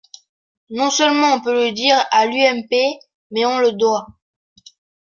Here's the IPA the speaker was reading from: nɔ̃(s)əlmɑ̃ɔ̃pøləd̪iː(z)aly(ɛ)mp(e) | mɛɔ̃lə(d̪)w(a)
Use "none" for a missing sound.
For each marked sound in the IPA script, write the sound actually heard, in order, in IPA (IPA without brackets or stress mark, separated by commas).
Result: s, ʁ, ɛ, e, d̪, a